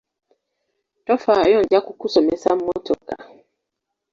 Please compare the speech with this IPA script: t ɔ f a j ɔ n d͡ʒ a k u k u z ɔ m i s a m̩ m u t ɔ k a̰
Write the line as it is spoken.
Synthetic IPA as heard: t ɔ f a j ɔ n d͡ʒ a k u k u s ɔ m ɛ s a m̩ m ɔ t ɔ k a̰